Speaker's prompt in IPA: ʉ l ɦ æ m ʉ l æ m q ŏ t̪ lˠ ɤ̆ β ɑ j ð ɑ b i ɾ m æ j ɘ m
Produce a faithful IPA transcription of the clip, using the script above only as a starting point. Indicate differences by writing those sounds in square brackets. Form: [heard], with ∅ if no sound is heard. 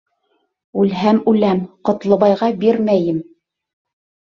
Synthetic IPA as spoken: ʉ l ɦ æ m ʉ l æ m q ŏ t̪ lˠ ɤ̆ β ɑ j [ʁ] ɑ b i ɾ m æ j ɘ m